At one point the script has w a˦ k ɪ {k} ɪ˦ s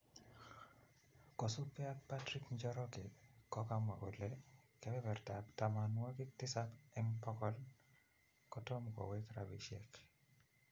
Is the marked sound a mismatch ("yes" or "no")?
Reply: yes